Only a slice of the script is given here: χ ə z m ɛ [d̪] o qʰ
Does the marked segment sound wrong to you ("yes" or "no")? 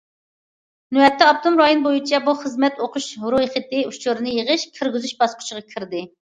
yes